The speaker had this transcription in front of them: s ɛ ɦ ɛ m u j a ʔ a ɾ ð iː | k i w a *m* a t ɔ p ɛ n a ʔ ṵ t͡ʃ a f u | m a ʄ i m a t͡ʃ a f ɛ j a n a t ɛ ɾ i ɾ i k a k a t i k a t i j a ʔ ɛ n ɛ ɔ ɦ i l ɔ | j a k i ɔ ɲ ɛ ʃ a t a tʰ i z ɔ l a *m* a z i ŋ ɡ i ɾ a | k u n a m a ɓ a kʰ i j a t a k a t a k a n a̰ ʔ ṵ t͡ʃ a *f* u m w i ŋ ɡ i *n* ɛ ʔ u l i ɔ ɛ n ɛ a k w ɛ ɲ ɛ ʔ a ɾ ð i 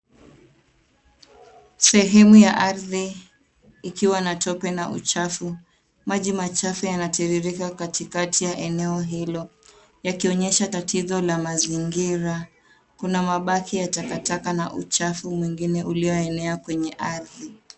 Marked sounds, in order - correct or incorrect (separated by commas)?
incorrect, correct, correct, correct